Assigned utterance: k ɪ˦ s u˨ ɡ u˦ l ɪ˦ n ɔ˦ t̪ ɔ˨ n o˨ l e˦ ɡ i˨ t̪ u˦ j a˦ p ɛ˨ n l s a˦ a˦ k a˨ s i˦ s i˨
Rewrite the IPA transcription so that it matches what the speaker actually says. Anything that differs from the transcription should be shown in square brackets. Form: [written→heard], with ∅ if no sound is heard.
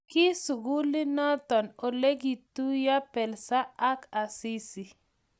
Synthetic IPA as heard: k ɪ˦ s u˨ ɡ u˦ l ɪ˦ n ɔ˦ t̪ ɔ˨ n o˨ l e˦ ɡ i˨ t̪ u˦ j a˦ p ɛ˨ [n→∅] l s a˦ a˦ k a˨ s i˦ s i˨